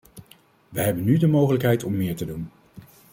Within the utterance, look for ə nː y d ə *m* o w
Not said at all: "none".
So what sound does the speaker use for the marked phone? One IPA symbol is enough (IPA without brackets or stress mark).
m